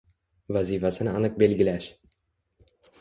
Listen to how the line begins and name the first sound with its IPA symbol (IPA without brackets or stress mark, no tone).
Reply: v